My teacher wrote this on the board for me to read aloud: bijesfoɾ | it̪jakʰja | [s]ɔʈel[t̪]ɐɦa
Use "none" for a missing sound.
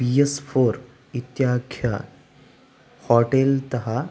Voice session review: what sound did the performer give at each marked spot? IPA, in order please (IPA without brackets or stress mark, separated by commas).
h, t̪